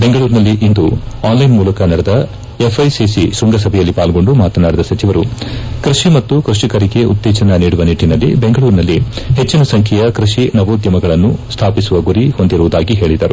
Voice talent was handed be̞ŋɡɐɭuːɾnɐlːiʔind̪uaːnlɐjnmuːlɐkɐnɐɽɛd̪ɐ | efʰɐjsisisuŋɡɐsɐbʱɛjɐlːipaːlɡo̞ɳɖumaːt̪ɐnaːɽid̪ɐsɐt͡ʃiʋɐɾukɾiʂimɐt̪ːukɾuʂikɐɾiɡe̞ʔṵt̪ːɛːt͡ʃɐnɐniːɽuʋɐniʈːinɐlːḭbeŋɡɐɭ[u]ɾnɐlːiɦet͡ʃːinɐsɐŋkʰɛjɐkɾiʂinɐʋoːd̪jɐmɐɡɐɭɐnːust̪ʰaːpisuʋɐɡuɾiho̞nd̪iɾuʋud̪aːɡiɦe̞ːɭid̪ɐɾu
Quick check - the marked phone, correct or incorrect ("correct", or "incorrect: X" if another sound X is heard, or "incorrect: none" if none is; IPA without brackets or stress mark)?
incorrect: uː